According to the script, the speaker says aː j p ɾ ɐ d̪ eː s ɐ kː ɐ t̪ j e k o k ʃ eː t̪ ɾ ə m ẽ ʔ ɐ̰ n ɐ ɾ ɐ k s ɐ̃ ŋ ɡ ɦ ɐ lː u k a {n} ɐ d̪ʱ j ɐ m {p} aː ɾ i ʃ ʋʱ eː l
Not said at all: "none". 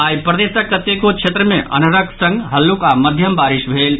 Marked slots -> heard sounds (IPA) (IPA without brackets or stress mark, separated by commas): m, b